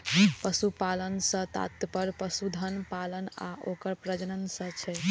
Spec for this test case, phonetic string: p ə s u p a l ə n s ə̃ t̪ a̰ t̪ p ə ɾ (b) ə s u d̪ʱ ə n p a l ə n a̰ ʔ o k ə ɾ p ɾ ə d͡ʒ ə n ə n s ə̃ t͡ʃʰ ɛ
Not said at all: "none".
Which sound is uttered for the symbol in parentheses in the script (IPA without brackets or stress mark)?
p